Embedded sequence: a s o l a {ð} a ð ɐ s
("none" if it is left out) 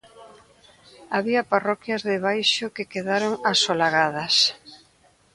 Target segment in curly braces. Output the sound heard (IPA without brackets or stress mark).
ɣ